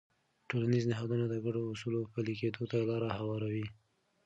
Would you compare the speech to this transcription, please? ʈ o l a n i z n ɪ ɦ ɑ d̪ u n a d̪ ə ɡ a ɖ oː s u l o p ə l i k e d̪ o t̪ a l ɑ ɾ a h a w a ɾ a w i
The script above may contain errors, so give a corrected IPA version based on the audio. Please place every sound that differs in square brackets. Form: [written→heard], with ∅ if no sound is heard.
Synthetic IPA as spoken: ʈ o l a n i z n ɪ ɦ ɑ d̪ u n a d̪ ə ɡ a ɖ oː s u l o p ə l i k e d̪ o t̪ a l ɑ ɾ a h a w [a→ɑ] ɾ a w i